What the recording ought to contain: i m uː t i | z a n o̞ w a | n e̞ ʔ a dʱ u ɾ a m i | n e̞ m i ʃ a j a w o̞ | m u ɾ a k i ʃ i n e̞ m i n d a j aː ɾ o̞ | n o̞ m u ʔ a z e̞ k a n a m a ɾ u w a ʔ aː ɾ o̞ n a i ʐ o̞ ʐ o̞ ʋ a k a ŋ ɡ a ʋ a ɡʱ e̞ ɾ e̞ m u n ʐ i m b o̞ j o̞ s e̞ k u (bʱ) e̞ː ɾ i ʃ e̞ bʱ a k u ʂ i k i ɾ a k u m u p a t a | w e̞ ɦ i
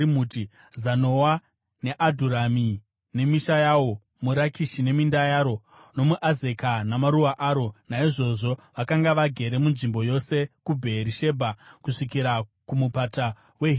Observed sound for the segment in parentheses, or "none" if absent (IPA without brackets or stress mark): bʱ